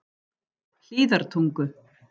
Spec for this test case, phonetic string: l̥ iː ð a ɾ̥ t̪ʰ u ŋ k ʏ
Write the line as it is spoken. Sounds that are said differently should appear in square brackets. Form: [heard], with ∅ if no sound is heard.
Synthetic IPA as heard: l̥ iː ð a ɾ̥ t̪ʰ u ŋ k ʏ